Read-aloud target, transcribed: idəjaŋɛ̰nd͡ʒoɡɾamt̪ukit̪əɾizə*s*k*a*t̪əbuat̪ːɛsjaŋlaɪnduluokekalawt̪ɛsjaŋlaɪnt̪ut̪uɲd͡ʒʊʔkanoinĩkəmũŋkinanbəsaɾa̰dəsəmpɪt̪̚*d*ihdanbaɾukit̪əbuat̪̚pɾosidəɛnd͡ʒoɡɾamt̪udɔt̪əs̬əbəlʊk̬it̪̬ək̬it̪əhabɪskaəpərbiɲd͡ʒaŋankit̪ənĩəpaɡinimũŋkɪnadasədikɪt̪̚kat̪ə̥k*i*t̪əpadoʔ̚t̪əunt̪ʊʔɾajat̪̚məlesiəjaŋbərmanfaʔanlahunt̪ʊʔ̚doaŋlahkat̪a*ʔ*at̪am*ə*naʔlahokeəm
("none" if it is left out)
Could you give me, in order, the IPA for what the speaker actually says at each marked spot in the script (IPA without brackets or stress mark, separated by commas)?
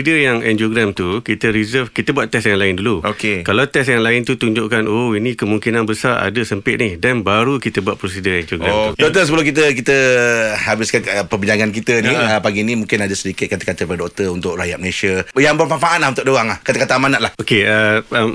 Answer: f, i, n, a, k, a